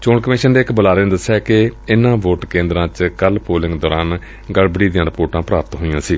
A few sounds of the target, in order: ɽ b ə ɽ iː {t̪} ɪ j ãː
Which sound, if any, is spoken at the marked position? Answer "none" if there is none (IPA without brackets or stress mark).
d̪